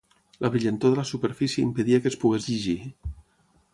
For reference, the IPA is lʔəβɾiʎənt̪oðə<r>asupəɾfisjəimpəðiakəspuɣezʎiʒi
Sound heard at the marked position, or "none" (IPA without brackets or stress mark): l